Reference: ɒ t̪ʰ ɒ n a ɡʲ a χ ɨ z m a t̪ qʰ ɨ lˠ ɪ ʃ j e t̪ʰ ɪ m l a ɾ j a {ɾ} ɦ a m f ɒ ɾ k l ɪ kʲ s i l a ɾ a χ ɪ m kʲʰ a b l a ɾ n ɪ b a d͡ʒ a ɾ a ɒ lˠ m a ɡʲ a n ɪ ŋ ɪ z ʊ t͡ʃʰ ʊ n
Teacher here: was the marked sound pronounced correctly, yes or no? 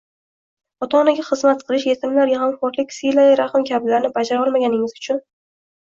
no